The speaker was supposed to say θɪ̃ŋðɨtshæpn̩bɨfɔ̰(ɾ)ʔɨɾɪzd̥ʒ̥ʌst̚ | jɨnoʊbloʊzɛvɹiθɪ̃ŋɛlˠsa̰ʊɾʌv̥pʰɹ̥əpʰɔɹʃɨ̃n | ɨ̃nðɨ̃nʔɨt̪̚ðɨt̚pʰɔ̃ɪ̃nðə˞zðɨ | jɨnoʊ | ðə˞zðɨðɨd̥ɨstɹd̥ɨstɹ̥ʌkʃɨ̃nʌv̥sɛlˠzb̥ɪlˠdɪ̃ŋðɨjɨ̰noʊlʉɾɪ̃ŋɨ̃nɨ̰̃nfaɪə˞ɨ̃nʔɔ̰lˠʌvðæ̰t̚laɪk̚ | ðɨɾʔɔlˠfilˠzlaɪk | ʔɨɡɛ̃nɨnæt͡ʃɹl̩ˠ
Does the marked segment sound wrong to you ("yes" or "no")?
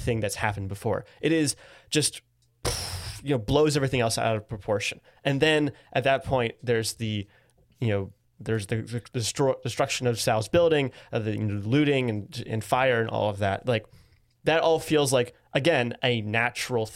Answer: yes